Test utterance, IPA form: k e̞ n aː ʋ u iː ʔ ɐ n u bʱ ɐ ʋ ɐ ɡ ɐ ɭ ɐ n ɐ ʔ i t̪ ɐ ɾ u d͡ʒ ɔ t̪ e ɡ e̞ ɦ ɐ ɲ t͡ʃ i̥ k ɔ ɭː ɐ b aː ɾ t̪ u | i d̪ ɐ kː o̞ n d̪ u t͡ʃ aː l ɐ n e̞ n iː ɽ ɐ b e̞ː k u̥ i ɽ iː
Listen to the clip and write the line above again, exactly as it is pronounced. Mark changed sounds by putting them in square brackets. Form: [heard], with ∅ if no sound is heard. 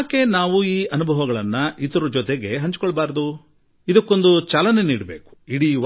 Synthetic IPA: k e̞ n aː ʋ u iː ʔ ɐ n u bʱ ɐ ʋ ɐ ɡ ɐ ɭ ɐ [nː] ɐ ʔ i t̪ ɐ ɾ u d͡ʒ ɔ t̪ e ɡ e̞ ɦ ɐ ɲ t͡ʃ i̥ k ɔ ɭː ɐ b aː ɾ [d̪] u | i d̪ ɐ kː o̞ n d̪ u t͡ʃ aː l ɐ n e̞ n iː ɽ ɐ b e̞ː k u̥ i ɽ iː